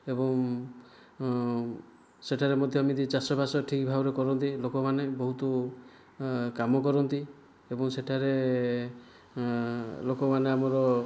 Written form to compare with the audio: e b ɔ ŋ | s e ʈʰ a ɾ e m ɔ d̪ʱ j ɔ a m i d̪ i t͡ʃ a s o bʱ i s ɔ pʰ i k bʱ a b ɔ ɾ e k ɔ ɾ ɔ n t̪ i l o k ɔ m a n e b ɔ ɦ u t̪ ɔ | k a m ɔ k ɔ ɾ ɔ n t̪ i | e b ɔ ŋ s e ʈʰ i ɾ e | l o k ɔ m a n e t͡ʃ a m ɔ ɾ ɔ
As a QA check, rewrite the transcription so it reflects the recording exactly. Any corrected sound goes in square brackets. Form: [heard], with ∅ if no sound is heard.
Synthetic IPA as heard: e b ɔ ŋ | s e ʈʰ a ɾ e m ɔ d̪ʱ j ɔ a m i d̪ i t͡ʃ a s [ɔ] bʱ [a] s ɔ [ʈʰ] i k bʱ a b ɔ ɾ e k ɔ ɾ ɔ n t̪ i l o k ɔ m a n e b ɔ ɦ u t̪ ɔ | k a m ɔ k ɔ ɾ ɔ n t̪ i | e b ɔ ŋ s e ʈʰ [a] ɾ e | l o k ɔ m a n e [∅] a m ɔ ɾ ɔ